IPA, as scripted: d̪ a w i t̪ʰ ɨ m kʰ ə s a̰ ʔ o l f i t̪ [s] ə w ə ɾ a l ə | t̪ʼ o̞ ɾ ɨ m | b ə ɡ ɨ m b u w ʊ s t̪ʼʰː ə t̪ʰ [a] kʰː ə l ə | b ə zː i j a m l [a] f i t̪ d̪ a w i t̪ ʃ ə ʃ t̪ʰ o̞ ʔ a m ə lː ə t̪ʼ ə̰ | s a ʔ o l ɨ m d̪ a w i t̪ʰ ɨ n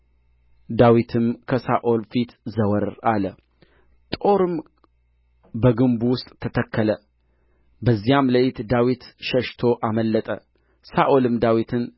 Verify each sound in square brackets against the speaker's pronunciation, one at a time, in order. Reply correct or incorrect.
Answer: incorrect, incorrect, incorrect

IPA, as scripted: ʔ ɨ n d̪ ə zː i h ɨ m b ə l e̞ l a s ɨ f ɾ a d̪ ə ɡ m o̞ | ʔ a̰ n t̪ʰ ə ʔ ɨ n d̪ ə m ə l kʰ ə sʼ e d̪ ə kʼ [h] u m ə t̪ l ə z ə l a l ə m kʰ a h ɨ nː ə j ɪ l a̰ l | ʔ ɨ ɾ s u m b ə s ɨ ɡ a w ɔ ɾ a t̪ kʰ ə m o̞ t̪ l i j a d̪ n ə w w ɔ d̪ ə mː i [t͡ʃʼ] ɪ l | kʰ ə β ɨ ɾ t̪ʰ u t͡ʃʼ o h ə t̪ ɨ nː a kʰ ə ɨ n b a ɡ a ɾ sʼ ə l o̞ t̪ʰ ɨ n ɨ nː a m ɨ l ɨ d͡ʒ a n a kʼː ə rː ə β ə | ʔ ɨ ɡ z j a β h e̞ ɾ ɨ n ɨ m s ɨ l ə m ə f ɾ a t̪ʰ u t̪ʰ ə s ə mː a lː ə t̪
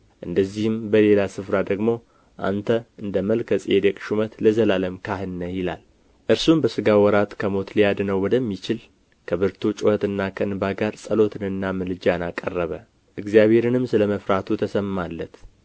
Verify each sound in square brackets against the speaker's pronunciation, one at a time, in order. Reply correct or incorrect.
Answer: incorrect, incorrect

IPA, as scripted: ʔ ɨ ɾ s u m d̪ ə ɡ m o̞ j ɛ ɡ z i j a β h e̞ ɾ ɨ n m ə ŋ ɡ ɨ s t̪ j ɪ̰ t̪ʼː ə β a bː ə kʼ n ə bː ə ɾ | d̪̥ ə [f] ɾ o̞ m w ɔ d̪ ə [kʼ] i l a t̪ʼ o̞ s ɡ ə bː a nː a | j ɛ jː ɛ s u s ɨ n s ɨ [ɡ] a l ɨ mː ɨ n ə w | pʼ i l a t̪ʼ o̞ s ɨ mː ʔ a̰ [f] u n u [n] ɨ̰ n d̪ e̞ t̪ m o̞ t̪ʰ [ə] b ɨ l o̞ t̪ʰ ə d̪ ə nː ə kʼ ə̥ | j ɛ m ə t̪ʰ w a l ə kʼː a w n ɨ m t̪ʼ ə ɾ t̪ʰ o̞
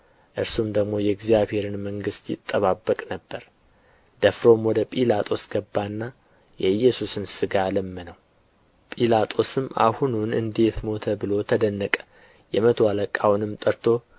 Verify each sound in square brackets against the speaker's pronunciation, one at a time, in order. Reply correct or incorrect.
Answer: correct, incorrect, correct, incorrect, correct, correct

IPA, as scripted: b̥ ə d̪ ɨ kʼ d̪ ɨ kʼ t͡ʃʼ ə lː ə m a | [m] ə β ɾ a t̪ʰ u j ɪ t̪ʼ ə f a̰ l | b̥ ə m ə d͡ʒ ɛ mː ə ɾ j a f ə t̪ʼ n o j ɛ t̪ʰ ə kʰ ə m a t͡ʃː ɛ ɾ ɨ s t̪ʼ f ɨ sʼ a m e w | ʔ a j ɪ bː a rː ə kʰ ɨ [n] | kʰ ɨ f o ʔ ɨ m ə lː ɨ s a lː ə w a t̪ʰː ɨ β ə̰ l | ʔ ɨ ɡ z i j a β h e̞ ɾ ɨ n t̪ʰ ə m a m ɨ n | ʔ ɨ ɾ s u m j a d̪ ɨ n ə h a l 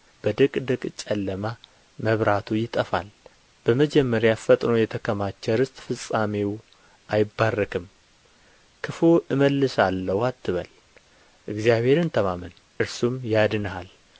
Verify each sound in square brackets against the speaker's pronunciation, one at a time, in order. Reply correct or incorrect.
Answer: correct, incorrect

